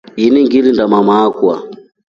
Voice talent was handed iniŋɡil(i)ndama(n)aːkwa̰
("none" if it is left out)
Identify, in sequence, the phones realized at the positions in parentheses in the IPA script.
i, m

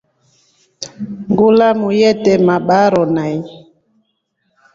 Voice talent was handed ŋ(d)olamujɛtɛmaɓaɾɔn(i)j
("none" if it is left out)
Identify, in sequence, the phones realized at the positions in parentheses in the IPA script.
ɡ, a

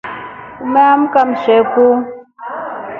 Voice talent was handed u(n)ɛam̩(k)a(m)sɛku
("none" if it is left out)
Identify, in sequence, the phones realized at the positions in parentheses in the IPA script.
m, k, m

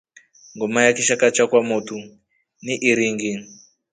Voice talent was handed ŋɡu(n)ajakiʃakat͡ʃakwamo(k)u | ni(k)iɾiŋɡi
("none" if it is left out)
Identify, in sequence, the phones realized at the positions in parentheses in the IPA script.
m, t, ʔ

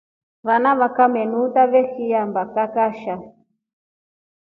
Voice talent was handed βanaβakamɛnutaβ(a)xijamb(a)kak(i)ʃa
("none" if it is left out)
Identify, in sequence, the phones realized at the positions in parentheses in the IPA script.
ɛ, a, a

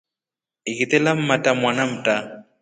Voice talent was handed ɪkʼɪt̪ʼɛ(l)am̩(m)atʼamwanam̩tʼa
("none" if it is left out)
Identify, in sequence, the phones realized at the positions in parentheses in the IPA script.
l, m

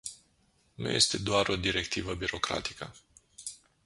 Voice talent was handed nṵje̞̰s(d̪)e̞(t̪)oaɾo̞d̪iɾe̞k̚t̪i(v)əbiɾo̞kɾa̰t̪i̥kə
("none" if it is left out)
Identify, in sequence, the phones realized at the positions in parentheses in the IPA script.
t̪, d̪, v

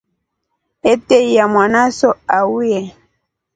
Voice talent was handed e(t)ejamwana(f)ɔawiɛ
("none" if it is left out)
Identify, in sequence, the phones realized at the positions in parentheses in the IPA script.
t, s

